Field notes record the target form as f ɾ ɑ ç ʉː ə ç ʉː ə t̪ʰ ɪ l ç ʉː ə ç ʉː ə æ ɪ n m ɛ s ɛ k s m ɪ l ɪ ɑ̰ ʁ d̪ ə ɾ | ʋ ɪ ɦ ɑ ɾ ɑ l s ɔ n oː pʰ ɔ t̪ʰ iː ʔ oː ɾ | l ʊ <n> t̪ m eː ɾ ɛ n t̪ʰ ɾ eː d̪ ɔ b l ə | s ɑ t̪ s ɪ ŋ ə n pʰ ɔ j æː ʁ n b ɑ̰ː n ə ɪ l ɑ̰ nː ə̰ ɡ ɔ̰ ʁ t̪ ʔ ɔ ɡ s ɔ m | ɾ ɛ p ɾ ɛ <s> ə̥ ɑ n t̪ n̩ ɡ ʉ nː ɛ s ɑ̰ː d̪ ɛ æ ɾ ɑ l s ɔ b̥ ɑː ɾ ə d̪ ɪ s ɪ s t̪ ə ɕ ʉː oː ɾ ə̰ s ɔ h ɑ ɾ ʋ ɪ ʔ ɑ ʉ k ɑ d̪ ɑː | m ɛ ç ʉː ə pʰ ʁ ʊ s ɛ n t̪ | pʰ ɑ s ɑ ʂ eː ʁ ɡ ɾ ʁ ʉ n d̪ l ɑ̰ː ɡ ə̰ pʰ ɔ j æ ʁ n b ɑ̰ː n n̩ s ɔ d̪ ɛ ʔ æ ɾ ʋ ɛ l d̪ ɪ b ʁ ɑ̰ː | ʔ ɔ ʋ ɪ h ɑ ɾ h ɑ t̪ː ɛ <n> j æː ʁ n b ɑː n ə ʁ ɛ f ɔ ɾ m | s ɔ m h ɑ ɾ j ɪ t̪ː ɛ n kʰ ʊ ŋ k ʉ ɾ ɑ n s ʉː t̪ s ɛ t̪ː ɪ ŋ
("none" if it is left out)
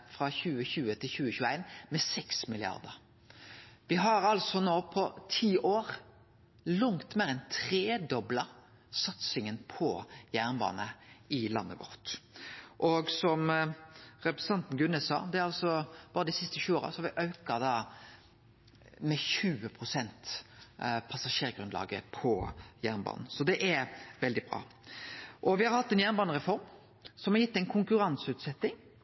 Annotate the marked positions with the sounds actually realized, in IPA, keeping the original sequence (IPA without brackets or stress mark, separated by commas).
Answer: ŋ, s, n